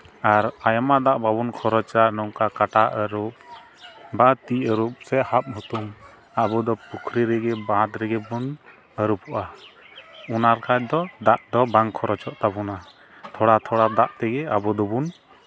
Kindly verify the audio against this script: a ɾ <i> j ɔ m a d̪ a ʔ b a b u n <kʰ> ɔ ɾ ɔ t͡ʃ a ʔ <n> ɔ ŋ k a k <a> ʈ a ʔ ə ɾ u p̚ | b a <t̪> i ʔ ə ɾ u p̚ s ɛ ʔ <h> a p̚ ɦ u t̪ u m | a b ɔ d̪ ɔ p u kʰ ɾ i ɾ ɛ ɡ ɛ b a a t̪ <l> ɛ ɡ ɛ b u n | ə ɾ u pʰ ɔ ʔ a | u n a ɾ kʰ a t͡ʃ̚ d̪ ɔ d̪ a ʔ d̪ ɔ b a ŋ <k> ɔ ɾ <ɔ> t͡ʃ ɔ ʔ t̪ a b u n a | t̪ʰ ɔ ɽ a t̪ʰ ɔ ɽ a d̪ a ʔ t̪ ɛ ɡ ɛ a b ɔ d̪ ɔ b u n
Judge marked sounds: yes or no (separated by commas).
no, yes, yes, yes, yes, yes, no, no, yes